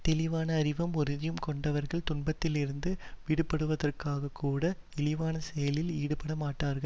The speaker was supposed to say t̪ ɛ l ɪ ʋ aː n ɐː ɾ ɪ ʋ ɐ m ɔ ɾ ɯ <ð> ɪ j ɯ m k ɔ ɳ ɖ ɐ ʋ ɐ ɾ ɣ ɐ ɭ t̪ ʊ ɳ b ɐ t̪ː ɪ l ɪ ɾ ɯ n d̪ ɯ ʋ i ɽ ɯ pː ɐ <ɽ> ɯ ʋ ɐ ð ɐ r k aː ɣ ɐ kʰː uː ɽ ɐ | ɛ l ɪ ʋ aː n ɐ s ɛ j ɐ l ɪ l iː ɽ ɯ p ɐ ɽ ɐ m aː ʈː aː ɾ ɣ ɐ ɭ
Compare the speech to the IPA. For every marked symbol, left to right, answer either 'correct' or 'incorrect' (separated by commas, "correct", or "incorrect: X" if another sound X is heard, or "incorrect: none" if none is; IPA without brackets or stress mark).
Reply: correct, correct